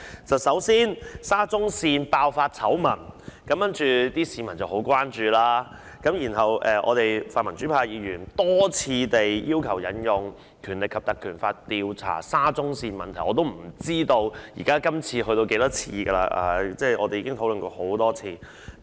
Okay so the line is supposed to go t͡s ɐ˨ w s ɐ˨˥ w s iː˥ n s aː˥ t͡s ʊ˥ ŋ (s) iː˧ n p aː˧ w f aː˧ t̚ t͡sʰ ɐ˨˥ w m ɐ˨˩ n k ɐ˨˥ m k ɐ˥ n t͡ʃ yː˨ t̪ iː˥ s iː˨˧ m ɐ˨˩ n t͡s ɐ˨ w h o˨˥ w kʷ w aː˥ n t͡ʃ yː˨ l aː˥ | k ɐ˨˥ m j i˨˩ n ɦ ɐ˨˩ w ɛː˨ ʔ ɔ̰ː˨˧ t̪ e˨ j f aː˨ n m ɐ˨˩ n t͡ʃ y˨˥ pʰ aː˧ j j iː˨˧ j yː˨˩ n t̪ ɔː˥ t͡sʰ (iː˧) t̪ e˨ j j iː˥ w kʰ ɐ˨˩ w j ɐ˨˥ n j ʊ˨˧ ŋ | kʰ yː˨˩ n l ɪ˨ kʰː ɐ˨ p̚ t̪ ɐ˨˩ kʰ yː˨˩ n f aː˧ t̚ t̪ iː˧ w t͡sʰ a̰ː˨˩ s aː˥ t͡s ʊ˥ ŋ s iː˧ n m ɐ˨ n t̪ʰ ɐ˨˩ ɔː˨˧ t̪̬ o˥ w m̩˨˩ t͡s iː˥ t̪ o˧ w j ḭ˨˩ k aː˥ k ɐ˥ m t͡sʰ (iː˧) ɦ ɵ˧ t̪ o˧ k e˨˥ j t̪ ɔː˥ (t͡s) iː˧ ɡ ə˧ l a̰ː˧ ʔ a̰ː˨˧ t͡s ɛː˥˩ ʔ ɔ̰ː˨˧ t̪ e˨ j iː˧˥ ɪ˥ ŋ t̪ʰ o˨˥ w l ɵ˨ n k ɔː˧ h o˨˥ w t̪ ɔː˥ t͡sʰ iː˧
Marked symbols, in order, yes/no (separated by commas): yes, yes, yes, no